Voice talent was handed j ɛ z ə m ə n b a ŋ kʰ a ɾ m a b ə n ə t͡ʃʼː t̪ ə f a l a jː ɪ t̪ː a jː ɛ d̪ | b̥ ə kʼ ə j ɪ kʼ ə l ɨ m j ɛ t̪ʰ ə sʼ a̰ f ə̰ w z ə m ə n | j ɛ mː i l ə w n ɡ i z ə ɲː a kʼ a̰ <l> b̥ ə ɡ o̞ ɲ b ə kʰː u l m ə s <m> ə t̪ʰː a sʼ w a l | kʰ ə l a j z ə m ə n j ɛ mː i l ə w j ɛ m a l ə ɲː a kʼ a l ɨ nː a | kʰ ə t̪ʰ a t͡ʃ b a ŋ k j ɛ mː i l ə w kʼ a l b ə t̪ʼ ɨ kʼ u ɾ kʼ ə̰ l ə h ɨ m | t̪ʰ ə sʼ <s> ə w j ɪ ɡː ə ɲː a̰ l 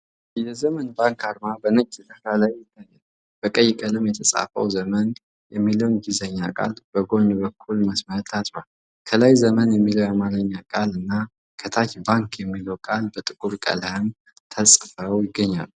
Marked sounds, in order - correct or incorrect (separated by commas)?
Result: correct, correct, incorrect